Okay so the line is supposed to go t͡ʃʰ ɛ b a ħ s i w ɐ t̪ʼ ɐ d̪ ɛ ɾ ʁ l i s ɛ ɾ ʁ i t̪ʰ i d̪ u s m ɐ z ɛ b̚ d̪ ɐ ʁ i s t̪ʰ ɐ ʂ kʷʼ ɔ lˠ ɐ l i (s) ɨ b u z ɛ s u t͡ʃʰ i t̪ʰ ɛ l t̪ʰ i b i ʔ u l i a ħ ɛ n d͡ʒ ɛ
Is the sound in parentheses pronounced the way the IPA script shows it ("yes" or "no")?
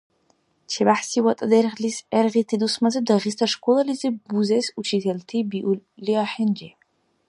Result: no